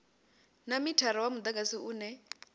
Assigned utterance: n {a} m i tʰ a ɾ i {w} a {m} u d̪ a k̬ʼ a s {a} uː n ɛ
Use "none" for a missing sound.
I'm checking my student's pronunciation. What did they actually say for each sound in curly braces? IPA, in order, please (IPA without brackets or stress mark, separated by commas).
a, w, m, i